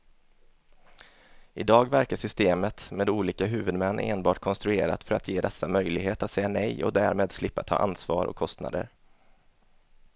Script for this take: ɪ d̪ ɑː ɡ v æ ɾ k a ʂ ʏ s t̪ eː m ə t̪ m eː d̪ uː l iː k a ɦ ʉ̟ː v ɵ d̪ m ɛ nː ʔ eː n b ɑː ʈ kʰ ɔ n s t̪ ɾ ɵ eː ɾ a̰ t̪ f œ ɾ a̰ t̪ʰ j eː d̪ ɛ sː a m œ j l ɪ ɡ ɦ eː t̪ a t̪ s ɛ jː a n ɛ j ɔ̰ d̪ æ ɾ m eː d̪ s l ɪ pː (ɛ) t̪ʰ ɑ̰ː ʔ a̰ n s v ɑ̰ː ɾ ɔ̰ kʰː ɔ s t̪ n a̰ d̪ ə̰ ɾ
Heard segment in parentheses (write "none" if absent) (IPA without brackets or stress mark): a